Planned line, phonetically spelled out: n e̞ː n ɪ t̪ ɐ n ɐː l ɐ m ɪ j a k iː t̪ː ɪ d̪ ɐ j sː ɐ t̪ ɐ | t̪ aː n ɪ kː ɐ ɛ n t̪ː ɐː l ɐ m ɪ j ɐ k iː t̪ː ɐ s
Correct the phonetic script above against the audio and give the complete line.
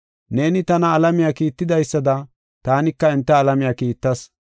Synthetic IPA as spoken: n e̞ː n ɪ t̪ ɐ n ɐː l ɐ m ɪ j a k iː t̪ː ɪ d̪ ɐ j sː ɐ d̪ ɐ | t̪ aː n ɪ kː ɐ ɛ n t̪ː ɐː l ɐ m ɪ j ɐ k iː t̪ː ɐ s